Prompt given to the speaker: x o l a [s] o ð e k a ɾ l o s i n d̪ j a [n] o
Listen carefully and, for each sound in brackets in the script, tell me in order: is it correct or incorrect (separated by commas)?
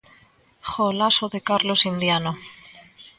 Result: correct, correct